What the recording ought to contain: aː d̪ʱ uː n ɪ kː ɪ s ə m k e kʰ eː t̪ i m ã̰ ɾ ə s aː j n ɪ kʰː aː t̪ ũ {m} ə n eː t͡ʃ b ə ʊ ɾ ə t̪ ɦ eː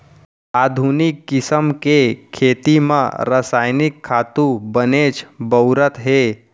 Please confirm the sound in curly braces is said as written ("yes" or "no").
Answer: no